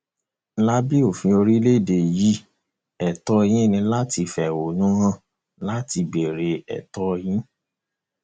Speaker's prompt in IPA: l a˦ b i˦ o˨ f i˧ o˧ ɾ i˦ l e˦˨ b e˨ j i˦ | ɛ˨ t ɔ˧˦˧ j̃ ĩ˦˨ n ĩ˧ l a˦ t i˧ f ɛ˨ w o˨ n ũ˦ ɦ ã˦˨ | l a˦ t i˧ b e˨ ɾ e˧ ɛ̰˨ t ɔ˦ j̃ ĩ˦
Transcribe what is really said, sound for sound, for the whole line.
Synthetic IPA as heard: l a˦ b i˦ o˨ f ĩ˧ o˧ ɾ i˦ l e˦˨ d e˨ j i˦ | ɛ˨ t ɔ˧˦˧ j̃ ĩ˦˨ n ĩ˧ l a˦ t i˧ f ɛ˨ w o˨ n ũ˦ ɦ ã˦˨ | l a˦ t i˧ b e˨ ɾ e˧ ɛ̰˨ t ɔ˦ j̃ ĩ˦